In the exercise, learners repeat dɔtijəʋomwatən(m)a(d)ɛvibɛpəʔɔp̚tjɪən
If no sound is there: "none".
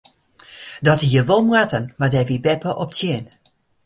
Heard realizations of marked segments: m, d

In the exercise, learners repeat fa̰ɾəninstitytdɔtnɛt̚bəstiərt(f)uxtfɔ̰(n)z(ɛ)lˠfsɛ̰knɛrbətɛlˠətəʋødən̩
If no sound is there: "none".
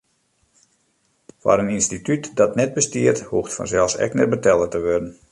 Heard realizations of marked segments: h, n, ɛ

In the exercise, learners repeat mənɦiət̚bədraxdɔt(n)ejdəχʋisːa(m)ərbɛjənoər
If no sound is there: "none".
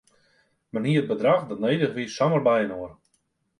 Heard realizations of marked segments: n, m

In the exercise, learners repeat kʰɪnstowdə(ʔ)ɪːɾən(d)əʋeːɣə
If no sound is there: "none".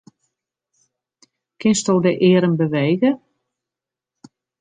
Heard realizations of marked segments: ʔ, b

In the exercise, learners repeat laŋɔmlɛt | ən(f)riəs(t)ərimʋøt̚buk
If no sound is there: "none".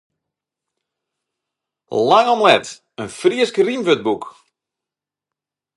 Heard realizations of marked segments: f, k

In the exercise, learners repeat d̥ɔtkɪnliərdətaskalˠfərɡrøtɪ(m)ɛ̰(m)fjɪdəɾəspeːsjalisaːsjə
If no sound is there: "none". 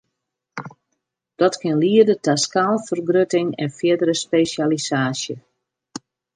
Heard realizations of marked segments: ŋ, n

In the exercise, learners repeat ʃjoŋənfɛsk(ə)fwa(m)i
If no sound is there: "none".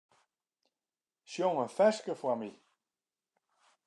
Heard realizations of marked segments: ə, m

